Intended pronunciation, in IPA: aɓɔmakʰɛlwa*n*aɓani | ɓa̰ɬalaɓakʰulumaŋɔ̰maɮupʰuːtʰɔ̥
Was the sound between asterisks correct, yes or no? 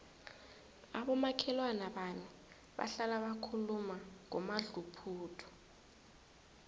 yes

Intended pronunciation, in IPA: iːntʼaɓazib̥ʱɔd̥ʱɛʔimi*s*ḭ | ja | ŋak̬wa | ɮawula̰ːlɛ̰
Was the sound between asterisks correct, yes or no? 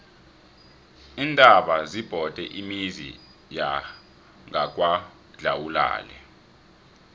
no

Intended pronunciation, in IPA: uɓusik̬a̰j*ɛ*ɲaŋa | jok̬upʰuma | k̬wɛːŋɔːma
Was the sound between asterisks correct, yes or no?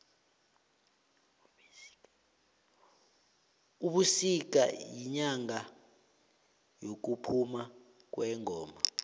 no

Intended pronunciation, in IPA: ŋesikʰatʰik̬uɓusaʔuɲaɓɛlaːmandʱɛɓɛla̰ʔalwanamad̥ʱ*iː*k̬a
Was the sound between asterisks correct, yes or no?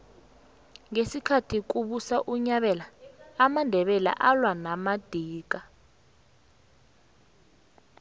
yes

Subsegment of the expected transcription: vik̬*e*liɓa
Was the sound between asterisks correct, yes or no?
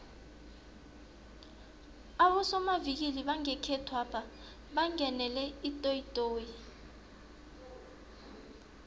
no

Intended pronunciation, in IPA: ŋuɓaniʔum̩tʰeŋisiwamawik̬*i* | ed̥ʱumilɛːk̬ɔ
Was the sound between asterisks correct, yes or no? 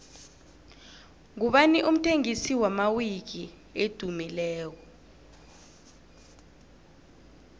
yes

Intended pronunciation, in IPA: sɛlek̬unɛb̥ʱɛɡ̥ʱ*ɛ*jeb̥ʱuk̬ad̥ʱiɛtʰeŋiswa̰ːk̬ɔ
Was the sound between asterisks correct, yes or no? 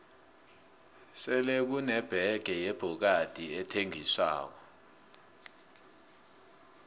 yes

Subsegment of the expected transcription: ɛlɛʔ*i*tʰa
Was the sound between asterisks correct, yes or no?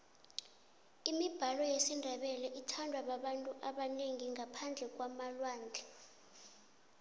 yes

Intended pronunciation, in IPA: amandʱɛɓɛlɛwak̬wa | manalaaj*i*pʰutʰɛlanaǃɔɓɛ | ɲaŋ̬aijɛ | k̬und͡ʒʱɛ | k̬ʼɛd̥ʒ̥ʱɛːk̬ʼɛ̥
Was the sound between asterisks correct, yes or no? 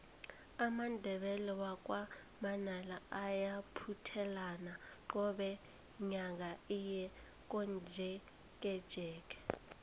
no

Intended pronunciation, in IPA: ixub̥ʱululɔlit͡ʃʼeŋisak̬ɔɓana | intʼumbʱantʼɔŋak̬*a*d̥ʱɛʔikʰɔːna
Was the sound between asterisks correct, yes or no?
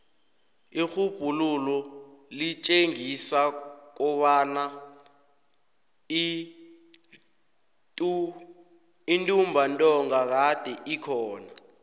yes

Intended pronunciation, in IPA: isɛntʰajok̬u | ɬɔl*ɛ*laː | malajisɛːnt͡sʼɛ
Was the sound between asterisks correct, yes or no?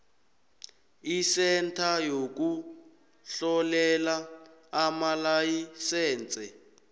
yes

